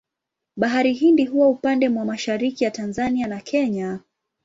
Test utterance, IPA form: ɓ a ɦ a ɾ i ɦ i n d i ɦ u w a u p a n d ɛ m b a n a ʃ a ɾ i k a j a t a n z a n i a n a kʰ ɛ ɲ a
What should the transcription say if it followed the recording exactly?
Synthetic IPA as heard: ɓ a ɦ a ɾ i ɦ i n d i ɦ u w a u p a n d ɛ m w a m a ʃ a ɾ i k i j a t a n z a n i a n a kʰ ɛ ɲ a